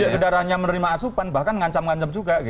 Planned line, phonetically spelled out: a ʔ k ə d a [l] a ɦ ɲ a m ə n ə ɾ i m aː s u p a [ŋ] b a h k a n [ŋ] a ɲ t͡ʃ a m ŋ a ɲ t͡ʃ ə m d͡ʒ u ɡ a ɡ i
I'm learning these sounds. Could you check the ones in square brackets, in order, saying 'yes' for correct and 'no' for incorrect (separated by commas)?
no, no, yes